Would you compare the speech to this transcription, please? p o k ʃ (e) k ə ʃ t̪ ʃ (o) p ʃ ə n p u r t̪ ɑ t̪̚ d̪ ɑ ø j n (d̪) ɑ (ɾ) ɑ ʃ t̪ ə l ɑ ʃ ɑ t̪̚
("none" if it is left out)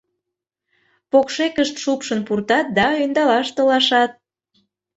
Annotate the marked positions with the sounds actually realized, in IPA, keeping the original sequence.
e, u, d̪, l

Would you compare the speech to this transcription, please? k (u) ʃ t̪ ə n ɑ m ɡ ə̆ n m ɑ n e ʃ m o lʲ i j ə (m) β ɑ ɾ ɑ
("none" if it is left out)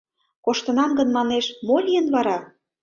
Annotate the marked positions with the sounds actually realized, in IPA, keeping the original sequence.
o, n

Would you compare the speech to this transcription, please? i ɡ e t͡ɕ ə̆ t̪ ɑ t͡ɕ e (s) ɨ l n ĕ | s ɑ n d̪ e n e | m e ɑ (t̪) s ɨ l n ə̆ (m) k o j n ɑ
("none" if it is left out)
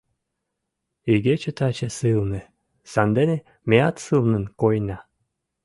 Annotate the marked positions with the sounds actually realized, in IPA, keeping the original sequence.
s, t̪, n

